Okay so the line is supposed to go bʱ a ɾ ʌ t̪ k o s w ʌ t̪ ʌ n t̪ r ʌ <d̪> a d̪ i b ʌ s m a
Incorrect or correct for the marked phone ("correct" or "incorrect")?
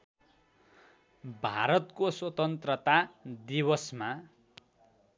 incorrect